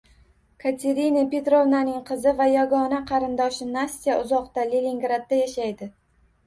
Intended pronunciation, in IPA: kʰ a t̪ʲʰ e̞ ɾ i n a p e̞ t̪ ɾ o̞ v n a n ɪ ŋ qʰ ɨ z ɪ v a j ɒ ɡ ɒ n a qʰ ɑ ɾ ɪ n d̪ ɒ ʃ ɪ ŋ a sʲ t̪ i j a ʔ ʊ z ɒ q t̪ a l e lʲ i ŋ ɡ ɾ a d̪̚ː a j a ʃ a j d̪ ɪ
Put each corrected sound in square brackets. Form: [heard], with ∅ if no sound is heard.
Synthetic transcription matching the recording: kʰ a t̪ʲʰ e̞ ɾ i n a p e̞ t̪ ɾ o̞ v n a n ɪ ŋ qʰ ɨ z ɪ v a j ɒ ɡ ɒ n a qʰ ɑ ɾ ɪ n d̪ ɒ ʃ ɪ [n] a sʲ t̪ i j a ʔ ʊ z ɒ q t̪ a l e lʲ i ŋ ɡ ɾ a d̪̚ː a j a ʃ a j d̪ ɪ